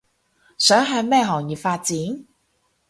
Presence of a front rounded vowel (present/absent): present